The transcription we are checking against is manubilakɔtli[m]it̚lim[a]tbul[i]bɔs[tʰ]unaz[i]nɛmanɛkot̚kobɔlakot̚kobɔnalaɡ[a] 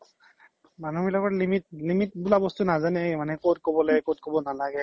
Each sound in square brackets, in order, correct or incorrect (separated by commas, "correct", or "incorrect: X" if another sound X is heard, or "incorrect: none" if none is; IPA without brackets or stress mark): correct, incorrect: i, incorrect: a, incorrect: t, incorrect: a, incorrect: ɛ